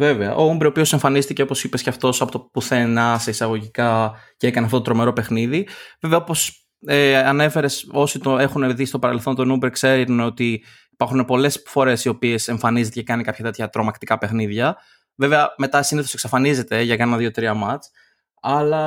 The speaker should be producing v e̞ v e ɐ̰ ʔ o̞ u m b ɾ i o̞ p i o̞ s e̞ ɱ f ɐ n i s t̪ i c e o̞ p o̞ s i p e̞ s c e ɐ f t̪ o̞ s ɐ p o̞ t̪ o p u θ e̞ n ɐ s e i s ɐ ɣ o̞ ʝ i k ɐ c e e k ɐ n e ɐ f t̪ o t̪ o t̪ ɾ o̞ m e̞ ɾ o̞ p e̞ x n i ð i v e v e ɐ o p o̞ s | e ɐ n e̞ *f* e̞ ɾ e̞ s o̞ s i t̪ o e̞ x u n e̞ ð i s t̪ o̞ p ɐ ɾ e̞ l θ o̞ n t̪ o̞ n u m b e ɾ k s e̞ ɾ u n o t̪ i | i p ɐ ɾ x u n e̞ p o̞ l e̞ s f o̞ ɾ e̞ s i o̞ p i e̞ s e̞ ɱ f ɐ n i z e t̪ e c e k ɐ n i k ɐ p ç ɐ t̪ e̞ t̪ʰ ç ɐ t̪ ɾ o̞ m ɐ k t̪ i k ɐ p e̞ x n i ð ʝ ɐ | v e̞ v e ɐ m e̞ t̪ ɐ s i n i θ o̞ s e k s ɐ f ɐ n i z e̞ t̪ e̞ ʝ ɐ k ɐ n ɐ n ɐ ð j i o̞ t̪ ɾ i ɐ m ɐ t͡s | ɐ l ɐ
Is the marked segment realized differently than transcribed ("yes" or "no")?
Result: no